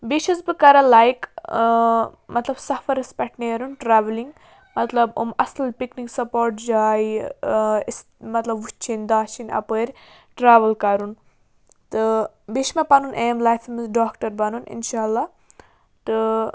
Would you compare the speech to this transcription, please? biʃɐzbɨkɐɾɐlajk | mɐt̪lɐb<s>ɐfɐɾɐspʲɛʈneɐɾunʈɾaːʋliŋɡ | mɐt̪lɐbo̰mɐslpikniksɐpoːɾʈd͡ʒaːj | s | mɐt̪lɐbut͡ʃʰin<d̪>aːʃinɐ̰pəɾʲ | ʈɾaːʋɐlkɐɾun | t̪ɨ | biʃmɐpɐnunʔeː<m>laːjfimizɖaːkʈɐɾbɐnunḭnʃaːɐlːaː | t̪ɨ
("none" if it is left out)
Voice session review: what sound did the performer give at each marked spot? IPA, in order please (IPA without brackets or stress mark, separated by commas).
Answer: s, d̪, m